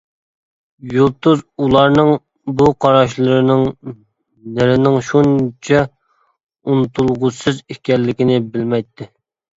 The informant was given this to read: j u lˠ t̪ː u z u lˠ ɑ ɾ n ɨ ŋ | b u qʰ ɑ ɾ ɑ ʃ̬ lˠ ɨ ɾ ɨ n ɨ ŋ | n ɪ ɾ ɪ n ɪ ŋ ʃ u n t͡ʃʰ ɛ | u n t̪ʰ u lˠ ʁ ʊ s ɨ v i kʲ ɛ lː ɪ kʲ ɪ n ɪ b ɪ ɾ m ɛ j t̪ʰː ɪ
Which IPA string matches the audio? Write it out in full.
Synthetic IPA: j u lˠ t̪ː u z u lˠ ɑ ɾ n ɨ ŋ | b u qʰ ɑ ɾ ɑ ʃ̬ lˠ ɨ ɾ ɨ n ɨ ŋ | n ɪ ɾ ɪ n ɪ ŋ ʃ u n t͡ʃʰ ɛ | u n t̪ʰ u lˠ ʁ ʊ s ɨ z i kʲ ɛ lː ɪ kʲ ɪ n ɪ b ɪ l m ɛ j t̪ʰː ɪ